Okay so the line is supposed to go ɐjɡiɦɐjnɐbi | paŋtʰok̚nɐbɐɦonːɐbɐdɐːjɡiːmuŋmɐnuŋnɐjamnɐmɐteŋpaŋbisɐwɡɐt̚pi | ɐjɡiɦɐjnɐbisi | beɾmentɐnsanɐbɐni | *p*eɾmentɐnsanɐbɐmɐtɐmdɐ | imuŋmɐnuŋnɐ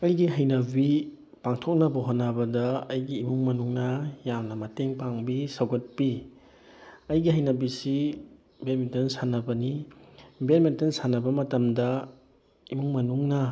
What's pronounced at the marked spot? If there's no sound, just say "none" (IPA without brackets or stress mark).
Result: b